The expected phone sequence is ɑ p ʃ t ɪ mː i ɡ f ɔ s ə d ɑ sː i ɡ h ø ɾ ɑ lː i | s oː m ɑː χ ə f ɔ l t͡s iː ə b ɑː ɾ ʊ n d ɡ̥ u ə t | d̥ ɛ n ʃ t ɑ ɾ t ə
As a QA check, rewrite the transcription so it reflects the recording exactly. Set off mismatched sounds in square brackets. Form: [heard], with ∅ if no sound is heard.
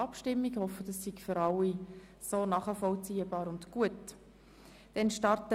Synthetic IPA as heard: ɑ p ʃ t ɪ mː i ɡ [h] ɔ [f] ə d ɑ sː i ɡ [f] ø ɾ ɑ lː i | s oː [n] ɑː χ ə f ɔ l t͡s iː ə b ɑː ɾ ʊ n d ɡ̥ u ə t | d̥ ɛ n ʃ t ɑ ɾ t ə

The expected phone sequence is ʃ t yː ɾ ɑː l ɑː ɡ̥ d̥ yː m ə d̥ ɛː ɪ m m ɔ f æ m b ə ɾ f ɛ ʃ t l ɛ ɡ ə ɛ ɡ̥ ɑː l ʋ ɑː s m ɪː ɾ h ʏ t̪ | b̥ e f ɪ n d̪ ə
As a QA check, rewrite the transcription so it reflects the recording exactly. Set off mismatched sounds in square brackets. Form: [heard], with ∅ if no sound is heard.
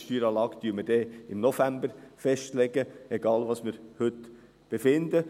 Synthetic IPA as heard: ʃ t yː ɾ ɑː l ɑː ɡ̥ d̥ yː m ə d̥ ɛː ɪ m [n] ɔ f æ m b ə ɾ f ɛ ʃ t l ɛ ɡ ə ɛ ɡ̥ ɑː l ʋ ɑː s m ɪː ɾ h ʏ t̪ | b̥ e f ɪ n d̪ ə

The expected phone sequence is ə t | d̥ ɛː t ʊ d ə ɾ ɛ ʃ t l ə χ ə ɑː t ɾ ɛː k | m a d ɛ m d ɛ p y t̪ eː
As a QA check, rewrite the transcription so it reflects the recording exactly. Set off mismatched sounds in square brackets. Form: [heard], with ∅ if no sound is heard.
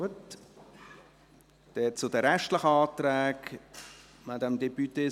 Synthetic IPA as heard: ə t | d̥ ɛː [t͡s] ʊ d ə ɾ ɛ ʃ t l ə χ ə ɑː t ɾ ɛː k | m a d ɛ m d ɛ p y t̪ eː

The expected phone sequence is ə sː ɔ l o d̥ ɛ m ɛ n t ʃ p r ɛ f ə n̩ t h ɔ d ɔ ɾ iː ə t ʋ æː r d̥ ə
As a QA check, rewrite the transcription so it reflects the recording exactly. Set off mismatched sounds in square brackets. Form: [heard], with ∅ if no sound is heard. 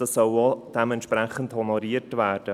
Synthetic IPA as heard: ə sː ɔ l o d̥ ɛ m ɛ n t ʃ p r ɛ [χ] ə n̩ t h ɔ [n] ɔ ɾ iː ə t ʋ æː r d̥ ə

